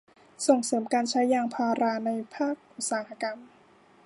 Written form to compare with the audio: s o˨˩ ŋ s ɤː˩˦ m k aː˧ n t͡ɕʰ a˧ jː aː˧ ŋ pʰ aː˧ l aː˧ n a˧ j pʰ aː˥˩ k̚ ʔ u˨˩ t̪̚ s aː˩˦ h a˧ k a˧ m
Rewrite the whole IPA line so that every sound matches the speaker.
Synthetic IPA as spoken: s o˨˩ ŋ s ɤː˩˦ m k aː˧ n t͡ɕʰ a˦˥ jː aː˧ ŋ pʰ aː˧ ɾ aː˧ n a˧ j pʰ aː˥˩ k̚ ʔ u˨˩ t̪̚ s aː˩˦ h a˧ k a˧ m

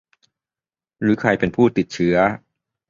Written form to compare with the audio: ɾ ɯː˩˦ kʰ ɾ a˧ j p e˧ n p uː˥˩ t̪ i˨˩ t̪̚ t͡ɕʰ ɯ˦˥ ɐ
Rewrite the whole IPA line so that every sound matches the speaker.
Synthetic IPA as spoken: ɾ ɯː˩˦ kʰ ɾ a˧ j p e˧ n pʰ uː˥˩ t̪ i˨˩ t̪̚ t͡ɕʰ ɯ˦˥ ɐ

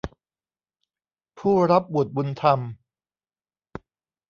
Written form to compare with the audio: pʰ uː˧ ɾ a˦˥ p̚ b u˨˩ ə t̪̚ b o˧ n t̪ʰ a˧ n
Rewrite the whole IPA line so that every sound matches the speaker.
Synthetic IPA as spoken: pʰ uː˥˩ ɾ a˦˥ p̚ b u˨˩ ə t̪̚ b u˧ n t̪ʰ a˧ m

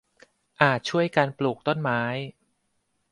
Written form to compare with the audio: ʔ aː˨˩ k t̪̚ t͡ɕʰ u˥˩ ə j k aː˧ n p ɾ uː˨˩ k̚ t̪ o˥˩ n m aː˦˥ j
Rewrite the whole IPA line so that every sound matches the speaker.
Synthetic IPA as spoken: ʔ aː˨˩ t̪̚ t͡ɕʰ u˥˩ ə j k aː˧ n p l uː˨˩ k̚ t̪ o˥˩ n m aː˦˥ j

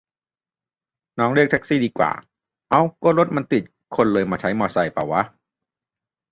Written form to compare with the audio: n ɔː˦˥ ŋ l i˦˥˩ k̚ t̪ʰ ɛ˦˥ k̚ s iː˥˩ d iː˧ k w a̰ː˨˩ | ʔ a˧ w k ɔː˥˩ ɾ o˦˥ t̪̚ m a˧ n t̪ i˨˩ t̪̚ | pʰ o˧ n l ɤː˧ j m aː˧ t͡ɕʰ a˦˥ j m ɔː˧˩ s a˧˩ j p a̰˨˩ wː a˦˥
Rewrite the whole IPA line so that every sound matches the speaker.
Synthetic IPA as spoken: n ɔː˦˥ ŋ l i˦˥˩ k̚ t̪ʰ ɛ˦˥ k̚ s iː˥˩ d iː˧ k w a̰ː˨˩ | ʔ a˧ w k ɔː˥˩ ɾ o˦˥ t̪̚ m a˧ n t̪ i˨˩ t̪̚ | kʰ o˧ n l ɤː˧ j m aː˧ t͡ɕʰ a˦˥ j m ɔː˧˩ s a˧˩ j p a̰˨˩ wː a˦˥

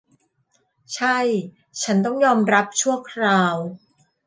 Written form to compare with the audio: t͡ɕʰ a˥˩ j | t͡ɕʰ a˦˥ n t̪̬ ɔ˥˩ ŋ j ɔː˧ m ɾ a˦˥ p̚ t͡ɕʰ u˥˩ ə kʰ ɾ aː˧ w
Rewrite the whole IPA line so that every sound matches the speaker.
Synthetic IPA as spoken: t͡ɕʰ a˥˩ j | t͡ɕʰ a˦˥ n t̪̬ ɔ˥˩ ŋ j ɔː˧ m ɾ a˦˥ p̚ t͡ɕʰ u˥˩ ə kʰ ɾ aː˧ w

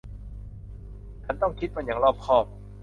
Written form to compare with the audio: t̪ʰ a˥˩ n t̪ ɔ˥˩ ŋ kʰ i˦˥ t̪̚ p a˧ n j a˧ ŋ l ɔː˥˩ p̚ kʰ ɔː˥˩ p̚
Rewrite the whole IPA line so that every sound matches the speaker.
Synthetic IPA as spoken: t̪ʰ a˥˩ n t̪ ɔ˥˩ ŋ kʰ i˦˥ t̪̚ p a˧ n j a˩˦ ŋ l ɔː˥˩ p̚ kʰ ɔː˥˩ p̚

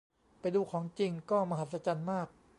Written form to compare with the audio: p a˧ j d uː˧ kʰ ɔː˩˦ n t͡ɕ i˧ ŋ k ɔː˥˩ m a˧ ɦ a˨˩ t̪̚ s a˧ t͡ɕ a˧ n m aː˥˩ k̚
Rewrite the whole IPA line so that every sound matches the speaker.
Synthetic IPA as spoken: p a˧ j d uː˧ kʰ ɔː˩˦ ŋ t͡ɕ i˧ ŋ k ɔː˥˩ m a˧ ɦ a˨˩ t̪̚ s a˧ t͡ɕ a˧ n m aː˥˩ k̚

